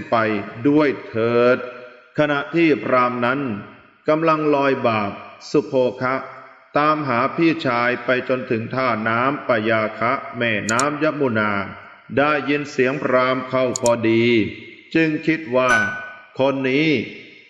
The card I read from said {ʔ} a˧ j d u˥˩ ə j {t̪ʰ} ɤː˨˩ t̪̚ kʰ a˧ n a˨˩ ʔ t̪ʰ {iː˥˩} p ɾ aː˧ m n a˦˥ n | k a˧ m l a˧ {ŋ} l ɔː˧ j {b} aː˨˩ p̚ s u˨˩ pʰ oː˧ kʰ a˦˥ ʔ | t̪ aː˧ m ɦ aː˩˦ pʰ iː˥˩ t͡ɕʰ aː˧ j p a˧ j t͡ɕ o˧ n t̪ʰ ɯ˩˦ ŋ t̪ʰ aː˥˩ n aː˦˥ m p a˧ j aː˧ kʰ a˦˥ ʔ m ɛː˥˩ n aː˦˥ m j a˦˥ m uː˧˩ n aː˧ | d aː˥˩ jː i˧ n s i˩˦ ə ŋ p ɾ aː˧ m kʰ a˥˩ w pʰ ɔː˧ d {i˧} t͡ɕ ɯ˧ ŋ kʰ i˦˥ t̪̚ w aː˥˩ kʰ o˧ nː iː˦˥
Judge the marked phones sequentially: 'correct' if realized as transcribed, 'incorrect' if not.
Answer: incorrect: p, correct, correct, correct, correct, incorrect: iː˧

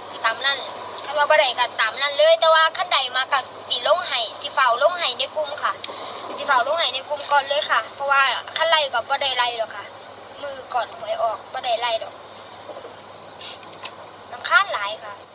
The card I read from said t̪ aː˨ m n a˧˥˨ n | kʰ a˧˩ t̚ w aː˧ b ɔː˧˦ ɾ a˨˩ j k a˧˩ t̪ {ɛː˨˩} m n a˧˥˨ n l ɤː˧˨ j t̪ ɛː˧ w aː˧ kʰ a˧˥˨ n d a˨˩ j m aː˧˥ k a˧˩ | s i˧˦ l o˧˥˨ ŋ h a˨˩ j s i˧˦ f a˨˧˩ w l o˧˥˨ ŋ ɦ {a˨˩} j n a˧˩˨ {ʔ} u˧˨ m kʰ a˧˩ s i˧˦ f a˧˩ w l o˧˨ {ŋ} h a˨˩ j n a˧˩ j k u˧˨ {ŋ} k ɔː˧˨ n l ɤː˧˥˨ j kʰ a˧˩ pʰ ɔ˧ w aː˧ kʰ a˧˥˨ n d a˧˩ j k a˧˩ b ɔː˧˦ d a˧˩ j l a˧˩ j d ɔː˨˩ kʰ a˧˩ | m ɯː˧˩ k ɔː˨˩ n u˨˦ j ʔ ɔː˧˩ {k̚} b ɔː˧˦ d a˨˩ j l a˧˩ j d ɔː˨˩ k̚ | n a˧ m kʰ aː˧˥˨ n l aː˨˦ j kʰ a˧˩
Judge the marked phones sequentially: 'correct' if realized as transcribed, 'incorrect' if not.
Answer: incorrect: aː˨˩, correct, incorrect: k, correct, incorrect: m, correct

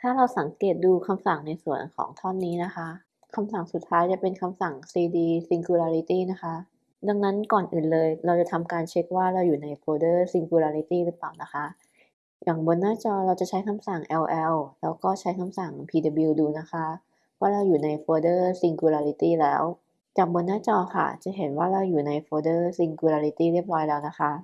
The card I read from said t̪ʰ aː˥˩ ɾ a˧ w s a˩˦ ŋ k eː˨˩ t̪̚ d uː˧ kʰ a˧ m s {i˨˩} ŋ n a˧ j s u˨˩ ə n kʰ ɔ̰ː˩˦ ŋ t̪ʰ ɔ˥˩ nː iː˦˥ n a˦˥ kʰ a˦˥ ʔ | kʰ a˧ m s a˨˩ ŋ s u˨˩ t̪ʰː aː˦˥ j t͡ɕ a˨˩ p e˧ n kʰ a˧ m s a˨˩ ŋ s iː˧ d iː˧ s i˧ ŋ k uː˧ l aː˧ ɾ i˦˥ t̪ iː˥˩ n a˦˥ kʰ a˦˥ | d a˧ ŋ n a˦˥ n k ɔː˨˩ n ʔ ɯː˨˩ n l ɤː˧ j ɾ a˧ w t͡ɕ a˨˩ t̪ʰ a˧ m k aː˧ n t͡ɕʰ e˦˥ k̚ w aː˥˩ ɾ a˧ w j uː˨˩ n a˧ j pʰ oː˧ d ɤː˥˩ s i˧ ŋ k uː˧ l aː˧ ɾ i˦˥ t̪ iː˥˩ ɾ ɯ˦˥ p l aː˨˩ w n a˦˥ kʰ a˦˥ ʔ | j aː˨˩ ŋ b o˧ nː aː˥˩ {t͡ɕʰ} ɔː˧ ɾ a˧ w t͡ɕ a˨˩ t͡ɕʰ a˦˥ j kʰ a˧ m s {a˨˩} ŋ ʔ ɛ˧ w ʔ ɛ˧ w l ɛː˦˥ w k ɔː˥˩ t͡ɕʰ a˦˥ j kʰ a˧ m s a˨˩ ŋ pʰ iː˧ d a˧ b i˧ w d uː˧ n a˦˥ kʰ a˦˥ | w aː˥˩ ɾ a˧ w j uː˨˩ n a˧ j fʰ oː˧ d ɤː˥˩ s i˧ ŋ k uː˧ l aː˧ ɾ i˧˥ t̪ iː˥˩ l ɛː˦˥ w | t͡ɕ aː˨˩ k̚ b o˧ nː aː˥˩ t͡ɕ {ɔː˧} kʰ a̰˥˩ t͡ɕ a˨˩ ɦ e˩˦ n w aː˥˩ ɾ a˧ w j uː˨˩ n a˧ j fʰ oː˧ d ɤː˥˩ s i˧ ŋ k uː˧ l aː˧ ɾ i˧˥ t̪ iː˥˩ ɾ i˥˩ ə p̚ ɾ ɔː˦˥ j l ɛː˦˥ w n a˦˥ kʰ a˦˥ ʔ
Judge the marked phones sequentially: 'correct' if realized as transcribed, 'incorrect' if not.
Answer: incorrect: a˨˩, incorrect: t͡ɕ, correct, correct

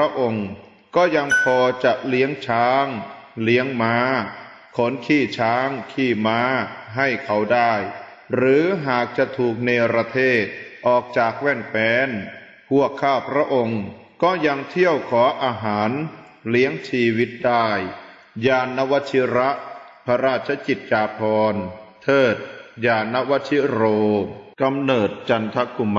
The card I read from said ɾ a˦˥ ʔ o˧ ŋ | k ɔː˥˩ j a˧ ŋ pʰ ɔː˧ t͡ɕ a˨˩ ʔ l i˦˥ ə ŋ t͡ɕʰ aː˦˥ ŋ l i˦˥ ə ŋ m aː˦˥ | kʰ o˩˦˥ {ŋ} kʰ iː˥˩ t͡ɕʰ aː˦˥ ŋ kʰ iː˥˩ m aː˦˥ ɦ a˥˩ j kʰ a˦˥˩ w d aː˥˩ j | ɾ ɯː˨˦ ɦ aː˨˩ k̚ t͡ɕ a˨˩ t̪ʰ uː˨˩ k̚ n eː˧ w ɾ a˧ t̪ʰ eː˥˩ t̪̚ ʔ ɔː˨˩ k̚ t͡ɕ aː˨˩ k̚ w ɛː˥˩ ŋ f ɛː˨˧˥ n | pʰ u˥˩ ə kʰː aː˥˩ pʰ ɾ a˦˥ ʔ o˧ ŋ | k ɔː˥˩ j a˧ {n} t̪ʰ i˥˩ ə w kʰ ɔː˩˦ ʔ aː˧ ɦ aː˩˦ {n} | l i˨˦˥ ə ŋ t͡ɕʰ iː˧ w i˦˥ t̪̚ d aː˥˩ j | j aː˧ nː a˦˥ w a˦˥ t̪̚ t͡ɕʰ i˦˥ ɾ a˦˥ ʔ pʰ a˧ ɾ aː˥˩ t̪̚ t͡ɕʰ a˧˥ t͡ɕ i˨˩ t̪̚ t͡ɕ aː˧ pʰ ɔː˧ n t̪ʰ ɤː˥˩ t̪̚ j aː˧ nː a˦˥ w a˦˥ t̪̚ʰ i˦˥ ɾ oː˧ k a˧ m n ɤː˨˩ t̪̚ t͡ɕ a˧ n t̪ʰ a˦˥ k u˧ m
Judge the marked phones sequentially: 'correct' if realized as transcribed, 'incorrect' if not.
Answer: incorrect: n, incorrect: ŋ, correct

